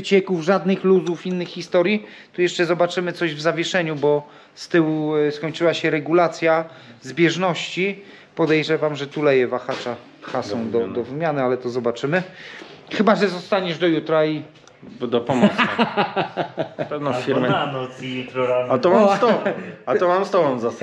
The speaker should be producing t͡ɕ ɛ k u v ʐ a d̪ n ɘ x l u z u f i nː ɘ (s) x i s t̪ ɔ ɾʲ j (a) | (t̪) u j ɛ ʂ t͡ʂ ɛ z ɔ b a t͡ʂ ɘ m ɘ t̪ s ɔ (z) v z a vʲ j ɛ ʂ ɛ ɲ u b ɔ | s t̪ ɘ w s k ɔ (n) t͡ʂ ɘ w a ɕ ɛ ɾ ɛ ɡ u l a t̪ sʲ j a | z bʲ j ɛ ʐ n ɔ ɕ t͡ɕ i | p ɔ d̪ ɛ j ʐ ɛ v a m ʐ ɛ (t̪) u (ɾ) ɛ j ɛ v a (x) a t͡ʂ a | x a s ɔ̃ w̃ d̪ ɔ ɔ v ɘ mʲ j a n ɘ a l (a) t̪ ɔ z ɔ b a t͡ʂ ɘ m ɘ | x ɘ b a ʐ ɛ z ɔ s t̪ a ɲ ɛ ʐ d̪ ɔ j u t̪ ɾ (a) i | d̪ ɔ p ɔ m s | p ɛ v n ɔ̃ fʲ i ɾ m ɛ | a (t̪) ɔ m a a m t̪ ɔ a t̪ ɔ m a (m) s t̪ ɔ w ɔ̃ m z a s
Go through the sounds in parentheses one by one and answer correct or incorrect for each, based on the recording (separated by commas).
incorrect, incorrect, correct, incorrect, incorrect, correct, incorrect, correct, incorrect, correct, correct, correct